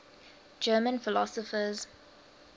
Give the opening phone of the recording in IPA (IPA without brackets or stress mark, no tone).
d͡ʒ